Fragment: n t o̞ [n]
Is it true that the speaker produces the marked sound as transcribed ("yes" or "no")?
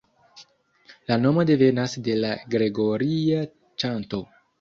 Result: no